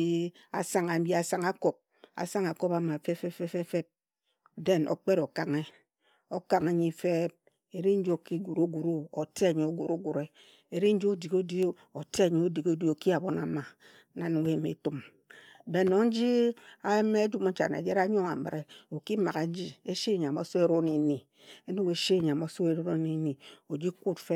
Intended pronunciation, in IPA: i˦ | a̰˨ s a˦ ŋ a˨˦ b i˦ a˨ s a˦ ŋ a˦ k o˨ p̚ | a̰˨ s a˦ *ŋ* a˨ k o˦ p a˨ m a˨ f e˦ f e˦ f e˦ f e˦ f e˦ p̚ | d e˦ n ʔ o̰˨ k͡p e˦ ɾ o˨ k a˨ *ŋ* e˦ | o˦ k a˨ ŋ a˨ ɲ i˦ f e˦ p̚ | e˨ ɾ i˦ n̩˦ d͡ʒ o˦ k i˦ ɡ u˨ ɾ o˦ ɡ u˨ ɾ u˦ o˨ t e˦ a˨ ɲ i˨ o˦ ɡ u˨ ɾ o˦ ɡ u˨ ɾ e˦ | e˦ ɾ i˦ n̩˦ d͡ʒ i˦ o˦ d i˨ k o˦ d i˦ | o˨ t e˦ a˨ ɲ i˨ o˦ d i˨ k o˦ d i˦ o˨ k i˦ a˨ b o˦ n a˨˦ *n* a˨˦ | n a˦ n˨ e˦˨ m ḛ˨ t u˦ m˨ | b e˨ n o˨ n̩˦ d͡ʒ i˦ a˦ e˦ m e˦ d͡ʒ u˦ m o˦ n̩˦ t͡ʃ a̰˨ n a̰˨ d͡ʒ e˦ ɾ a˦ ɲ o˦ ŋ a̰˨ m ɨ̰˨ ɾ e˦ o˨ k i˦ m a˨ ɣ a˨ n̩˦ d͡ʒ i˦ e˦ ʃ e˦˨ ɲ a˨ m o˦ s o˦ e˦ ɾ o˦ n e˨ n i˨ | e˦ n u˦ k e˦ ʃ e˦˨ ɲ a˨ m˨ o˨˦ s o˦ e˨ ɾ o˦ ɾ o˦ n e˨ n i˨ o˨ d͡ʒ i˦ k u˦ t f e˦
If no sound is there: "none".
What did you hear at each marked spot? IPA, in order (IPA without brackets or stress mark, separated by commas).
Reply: ŋ, ŋ, m